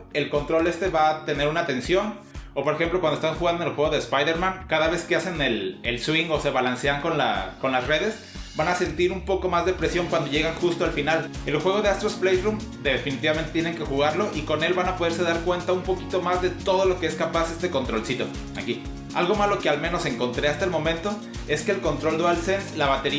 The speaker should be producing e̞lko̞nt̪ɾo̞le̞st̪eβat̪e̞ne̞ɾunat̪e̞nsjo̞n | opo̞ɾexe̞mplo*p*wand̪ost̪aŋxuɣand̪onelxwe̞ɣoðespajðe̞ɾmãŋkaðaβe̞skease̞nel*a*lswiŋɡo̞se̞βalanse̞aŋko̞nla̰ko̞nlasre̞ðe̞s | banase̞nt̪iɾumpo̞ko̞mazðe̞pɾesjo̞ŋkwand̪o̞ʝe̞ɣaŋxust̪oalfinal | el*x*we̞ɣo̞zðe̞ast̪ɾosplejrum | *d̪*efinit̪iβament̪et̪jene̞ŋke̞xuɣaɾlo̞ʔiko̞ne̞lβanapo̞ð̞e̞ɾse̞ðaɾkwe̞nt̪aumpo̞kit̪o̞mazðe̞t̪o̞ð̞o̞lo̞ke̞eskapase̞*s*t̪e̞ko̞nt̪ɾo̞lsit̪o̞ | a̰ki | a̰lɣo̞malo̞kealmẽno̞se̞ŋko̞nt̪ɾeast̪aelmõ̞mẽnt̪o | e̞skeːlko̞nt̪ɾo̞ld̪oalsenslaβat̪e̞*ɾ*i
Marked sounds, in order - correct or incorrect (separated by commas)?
incorrect, incorrect, correct, correct, correct, correct